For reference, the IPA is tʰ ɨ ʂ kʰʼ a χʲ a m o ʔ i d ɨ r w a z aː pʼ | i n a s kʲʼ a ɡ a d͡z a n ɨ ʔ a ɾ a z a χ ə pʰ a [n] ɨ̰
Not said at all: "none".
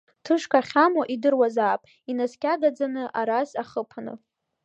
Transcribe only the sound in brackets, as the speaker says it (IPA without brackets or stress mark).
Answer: n